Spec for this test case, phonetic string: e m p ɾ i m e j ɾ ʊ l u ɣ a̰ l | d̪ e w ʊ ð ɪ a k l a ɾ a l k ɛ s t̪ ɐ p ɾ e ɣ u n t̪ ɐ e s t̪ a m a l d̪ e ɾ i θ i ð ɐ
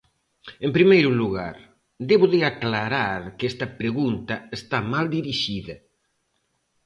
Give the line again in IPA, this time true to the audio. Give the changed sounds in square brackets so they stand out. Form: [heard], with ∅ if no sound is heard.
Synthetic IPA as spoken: e m p ɾ i m e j ɾ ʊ l u ɣ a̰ [ɾ] | d̪ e [β] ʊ ð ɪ a k l a ɾ a [ɾ] k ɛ s t̪ ɐ p ɾ e ɣ u n t̪ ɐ e s t̪ a m a l d̪ [i] ɾ i [ʃ] i ð ɐ